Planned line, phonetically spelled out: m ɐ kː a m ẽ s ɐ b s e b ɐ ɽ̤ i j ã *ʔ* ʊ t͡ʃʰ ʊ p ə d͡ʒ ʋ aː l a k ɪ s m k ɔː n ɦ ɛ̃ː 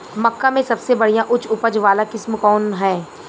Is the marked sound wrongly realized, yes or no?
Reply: no